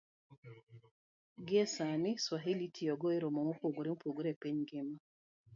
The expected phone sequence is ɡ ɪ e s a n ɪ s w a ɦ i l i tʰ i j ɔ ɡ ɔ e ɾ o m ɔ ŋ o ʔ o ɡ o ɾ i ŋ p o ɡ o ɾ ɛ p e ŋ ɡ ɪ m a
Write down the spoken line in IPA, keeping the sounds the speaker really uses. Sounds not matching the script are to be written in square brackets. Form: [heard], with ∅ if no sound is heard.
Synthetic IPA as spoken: ɡ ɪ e s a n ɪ s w a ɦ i l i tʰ i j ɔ ɡ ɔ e ɾ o m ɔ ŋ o [p] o ɡ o ɾ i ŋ p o ɡ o ɾ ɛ p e [ɲ] ɡ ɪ m a